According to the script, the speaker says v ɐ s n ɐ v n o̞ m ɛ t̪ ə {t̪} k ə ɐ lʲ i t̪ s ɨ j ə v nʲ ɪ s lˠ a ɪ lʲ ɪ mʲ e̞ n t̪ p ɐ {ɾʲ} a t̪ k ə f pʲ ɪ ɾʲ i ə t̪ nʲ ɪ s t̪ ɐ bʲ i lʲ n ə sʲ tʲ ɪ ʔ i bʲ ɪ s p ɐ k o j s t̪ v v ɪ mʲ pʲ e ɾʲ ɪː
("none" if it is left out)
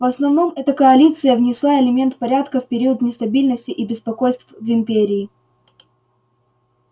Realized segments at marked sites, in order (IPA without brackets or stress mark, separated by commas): none, ɾʲ